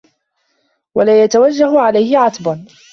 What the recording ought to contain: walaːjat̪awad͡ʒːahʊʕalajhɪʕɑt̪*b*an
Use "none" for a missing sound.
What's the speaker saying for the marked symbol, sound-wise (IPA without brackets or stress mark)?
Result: b